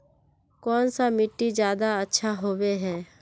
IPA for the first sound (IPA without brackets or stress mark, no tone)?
k